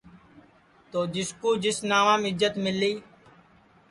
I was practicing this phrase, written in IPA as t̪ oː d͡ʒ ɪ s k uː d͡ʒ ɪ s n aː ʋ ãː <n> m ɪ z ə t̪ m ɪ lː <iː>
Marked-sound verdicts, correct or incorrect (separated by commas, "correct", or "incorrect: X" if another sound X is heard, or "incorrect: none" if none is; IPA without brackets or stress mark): incorrect: none, correct